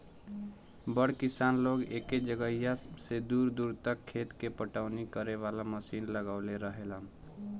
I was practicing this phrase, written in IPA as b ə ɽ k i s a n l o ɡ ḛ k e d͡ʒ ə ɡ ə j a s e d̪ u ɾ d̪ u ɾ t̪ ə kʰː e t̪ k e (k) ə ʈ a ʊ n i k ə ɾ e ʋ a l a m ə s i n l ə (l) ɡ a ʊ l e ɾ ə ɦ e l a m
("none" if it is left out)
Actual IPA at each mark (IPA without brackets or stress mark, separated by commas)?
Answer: p, none